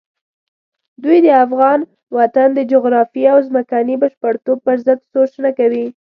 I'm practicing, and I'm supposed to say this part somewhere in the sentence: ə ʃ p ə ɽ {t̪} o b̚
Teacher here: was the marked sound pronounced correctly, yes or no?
yes